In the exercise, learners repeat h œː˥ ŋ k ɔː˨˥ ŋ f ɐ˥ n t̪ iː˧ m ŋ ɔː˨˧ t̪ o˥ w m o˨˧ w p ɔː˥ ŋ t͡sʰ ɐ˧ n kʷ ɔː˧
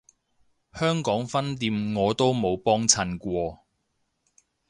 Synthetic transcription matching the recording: h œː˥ ŋ k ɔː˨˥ ŋ f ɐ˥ n t̪ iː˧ m ŋ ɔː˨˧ t̪ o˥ w m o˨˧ w p ɔː˥ ŋ t͡sʰ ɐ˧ n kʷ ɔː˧

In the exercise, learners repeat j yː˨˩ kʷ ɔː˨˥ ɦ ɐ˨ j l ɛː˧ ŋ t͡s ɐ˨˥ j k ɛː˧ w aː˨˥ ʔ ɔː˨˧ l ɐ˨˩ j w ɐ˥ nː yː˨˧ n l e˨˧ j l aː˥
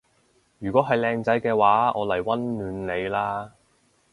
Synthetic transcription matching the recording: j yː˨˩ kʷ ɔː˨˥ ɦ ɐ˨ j l ɛː˧ ŋ t͡s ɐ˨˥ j k ɛː˧ w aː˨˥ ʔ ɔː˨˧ l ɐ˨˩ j w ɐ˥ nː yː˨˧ n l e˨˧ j l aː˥

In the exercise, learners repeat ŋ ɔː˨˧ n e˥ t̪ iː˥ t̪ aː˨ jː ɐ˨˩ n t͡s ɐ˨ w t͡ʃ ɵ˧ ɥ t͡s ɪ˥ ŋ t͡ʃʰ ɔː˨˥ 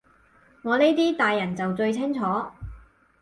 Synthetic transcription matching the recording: ŋ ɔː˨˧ n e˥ t̪ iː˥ t̪ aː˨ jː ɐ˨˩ n t͡s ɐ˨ w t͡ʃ ɵ˧ ɥ t͡sʰ ɪ˥ ŋ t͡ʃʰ ɔː˨˥

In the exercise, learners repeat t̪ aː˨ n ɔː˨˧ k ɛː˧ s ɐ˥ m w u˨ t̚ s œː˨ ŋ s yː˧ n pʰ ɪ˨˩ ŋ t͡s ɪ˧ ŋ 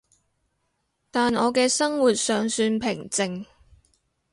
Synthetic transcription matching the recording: t̪ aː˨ n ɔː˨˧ k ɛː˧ s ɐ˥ ŋ w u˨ t̚ s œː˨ ŋ s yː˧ n pʰ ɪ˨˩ ŋ t͡s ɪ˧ ŋ

